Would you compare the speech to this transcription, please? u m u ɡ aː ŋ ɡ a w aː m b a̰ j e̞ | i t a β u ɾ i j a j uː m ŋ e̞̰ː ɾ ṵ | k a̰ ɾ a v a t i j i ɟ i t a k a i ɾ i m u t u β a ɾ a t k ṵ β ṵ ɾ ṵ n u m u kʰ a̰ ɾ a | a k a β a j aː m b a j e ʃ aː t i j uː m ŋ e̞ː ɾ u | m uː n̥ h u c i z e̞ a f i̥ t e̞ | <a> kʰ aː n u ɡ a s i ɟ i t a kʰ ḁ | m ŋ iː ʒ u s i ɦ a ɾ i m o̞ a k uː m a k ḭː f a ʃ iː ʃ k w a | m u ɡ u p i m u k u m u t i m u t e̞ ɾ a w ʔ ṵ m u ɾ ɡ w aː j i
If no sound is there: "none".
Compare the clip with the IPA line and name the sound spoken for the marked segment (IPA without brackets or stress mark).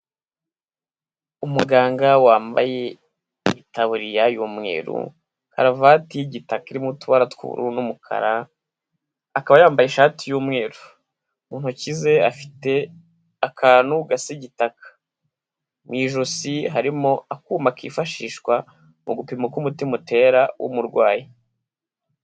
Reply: a